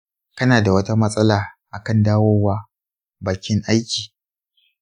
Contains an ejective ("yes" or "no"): yes